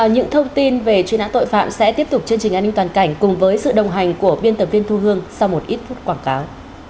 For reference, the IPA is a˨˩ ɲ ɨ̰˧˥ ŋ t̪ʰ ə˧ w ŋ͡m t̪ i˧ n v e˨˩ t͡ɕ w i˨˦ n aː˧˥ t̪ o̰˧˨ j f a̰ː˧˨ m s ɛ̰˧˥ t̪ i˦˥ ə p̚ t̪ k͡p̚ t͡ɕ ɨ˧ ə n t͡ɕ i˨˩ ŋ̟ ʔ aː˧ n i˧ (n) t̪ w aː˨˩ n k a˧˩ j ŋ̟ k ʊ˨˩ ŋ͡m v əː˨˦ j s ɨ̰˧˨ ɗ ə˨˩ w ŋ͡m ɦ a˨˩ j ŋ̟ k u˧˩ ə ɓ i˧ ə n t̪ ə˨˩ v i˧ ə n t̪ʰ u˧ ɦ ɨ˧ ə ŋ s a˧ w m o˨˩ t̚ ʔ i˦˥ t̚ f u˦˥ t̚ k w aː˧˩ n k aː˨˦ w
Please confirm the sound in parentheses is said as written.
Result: no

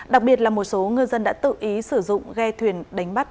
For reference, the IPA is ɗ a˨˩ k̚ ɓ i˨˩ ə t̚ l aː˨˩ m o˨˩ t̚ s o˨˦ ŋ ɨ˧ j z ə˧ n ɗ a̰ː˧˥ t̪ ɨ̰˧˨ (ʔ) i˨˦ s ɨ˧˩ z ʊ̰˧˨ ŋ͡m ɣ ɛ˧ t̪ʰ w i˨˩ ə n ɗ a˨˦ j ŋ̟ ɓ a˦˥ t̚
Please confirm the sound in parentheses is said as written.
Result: yes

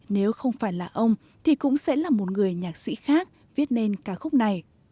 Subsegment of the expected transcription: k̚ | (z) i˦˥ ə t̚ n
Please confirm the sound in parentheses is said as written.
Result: no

